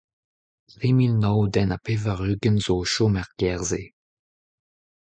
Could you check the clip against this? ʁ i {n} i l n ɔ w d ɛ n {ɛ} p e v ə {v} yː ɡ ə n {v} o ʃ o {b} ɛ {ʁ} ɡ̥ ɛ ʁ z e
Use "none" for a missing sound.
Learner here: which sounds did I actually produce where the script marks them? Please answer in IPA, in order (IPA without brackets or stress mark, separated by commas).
m, a, ʁ, z, m, ʁ